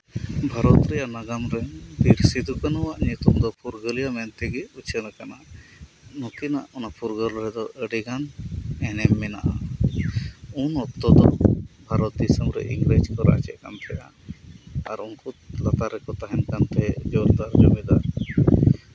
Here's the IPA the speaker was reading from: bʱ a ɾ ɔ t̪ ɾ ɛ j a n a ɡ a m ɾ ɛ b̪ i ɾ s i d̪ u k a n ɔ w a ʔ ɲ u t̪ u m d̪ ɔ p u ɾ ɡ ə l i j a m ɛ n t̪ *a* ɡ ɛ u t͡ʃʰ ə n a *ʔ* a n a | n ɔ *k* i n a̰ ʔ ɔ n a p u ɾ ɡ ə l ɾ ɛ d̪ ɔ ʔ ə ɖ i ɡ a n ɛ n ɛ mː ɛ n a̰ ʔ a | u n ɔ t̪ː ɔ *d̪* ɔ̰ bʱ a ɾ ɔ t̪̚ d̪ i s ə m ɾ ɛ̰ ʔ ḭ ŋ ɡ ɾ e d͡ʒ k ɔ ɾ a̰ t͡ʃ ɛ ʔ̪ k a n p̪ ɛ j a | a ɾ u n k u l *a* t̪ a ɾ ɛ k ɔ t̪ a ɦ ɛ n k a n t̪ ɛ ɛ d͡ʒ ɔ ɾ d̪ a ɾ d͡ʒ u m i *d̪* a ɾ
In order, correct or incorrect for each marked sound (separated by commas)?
incorrect, incorrect, correct, correct, correct, correct